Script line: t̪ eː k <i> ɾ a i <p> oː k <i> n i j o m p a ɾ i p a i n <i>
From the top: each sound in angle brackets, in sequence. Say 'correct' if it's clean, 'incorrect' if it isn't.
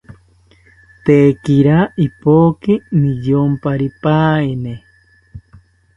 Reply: correct, correct, correct, incorrect: e

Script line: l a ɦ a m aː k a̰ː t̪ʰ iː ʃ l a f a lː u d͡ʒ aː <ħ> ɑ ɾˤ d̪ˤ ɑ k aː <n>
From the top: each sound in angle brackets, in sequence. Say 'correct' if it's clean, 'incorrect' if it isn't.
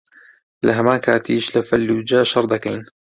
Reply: incorrect: ʃ, correct

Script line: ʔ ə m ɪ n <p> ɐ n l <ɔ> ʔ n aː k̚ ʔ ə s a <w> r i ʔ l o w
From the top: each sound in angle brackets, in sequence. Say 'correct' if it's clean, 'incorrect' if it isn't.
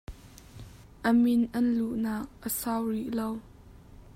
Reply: incorrect: ʔ, incorrect: u, correct

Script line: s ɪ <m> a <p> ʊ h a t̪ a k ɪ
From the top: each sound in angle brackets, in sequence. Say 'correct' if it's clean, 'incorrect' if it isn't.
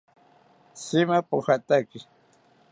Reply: correct, correct

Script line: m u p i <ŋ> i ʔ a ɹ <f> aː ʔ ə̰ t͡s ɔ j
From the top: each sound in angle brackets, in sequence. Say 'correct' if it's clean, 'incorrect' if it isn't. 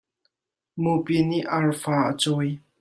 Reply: incorrect: n, correct

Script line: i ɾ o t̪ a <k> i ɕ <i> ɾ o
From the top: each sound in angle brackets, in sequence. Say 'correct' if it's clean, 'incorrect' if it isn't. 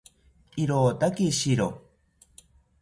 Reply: correct, correct

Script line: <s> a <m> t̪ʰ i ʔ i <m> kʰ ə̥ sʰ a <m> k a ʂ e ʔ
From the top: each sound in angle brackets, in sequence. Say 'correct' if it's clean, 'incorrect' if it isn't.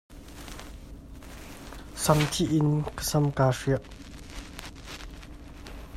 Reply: correct, correct, incorrect: n, correct

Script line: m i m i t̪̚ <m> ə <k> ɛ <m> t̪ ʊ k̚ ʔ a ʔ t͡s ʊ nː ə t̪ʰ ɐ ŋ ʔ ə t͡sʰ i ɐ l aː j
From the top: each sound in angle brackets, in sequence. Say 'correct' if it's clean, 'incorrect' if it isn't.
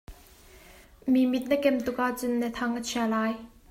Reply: incorrect: n, correct, correct

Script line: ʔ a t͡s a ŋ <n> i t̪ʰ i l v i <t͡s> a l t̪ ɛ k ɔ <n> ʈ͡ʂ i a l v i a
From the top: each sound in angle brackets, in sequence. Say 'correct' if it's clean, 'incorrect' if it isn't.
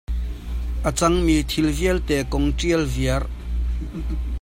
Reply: incorrect: m, incorrect: none, incorrect: ŋ

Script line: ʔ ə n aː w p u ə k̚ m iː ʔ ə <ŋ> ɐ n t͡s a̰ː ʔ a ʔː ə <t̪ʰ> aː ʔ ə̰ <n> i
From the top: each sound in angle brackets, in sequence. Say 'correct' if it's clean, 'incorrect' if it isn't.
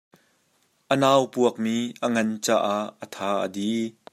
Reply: correct, correct, incorrect: d

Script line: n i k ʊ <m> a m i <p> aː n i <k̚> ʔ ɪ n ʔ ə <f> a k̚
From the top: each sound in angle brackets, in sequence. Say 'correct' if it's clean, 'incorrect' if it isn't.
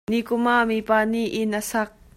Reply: correct, correct, incorrect: none, incorrect: s

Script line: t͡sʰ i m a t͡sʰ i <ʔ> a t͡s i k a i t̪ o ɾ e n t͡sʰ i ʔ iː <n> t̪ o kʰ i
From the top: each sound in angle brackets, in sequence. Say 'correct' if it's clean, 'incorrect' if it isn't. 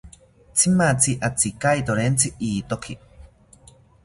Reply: correct, incorrect: none

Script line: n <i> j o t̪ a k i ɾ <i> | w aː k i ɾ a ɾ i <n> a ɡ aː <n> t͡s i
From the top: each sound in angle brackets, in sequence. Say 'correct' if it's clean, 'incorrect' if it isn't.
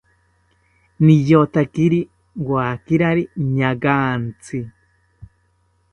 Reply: correct, correct, incorrect: ɲ, correct

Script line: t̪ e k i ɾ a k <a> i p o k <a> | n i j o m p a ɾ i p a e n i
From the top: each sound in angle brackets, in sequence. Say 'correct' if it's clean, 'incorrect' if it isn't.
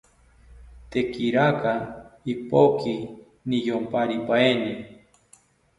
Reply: correct, incorrect: i

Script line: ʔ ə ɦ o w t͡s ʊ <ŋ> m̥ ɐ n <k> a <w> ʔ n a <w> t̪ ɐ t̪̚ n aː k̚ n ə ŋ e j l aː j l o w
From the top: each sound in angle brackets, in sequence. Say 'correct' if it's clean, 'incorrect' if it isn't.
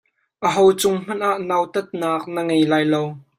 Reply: correct, incorrect: ʔ, incorrect: none, correct

